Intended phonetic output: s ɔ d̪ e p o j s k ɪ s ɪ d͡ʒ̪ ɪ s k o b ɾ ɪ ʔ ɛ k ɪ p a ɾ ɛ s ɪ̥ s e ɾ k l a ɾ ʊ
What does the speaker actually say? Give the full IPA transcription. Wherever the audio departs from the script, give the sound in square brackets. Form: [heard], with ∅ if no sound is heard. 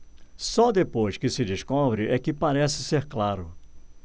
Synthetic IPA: s ɔ d̪ e p o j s k ɪ s ɪ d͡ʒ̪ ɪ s k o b ɾ ɪ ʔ ɛ k ɪ p a ɾ ɛ s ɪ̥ s e ɾ k l a ɾ ʊ